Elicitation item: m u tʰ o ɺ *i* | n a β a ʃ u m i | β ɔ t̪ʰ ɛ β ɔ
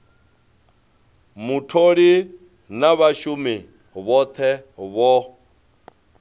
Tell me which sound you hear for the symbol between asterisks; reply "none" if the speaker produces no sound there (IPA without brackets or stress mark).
i